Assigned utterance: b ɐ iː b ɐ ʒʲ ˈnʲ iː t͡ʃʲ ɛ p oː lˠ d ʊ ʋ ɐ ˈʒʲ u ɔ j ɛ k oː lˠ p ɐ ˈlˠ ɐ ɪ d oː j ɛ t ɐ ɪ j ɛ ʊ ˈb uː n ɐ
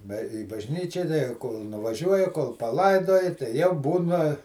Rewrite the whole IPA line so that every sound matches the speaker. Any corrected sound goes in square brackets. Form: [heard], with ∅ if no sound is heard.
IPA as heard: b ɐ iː b ɐ ʒʲ ˈnʲ iː t͡ʃʲ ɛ [k] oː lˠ [n] ʊ ʋ ɐ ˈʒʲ u ɔ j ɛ k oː lˠ p ɐ ˈlˠ ɐ ɪ d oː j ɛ t ɐ ɪ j ɛ ʊ ˈb uː n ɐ